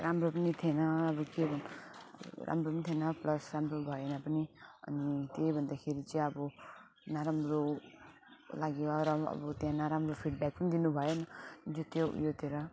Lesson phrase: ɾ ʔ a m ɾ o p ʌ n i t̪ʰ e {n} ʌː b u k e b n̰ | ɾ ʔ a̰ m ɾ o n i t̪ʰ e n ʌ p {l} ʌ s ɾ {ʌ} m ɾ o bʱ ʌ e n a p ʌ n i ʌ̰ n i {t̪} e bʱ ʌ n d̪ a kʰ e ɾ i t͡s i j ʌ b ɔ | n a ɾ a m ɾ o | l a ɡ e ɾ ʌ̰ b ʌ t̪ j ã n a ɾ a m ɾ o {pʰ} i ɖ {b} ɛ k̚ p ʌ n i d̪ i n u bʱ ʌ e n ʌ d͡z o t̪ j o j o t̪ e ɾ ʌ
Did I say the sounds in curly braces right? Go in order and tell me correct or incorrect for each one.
correct, correct, incorrect, correct, correct, correct

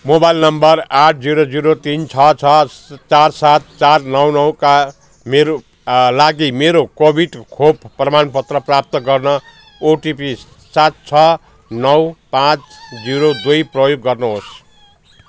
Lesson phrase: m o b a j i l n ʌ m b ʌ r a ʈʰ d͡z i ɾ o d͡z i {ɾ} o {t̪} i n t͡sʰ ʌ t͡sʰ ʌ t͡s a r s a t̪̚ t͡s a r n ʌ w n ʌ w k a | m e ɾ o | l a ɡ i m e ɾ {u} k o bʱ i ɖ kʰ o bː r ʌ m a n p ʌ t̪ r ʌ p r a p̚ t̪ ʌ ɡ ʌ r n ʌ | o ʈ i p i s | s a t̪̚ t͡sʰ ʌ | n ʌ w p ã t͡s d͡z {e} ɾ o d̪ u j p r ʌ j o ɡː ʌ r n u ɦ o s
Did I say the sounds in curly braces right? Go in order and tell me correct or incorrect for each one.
correct, correct, incorrect, incorrect

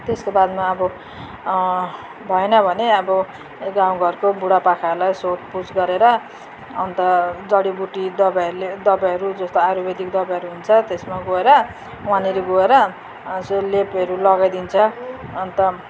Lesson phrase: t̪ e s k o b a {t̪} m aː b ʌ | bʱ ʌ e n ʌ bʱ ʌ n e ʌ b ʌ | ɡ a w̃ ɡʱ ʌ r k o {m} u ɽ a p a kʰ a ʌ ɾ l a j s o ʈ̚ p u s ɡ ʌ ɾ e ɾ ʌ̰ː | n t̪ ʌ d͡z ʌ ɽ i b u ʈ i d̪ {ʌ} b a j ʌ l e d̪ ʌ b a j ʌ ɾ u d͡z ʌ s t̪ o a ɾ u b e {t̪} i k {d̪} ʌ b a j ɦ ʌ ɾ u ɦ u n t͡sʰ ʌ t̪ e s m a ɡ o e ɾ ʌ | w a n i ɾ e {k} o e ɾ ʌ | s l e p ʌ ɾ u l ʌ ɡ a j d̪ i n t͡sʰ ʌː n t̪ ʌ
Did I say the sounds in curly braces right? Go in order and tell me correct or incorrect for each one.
incorrect, incorrect, correct, incorrect, correct, incorrect

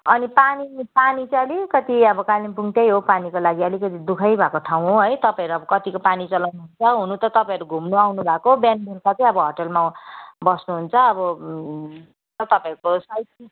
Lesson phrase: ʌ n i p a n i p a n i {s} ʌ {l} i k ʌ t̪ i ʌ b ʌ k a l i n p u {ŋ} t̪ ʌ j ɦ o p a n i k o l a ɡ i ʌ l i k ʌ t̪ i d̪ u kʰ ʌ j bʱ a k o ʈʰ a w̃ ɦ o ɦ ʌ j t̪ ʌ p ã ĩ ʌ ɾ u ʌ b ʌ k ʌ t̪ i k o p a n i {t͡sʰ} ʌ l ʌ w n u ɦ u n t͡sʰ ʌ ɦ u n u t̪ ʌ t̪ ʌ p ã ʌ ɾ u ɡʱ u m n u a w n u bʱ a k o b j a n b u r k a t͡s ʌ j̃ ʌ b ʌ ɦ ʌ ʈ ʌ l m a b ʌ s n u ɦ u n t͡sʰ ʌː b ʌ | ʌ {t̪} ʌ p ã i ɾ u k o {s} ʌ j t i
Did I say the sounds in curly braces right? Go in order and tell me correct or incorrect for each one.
incorrect, correct, correct, incorrect, correct, correct

